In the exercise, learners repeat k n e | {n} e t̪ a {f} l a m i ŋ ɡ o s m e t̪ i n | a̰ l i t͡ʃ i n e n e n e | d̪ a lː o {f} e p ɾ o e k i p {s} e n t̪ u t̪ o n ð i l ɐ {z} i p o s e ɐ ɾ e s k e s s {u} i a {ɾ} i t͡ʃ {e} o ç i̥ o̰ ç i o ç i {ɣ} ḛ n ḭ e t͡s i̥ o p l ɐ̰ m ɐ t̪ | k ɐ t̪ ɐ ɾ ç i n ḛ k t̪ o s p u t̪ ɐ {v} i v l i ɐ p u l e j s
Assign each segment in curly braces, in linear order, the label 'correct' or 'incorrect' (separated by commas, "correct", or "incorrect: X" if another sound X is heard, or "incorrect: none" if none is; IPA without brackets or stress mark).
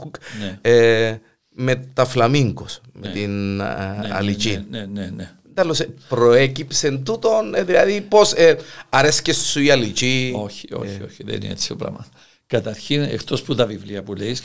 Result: incorrect: m, correct, incorrect: s, correct, incorrect: ð, correct, incorrect: l, incorrect: i, incorrect: ð, correct